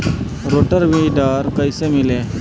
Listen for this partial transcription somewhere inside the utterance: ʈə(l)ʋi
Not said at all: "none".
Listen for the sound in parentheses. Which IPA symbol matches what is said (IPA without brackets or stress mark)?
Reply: ɾ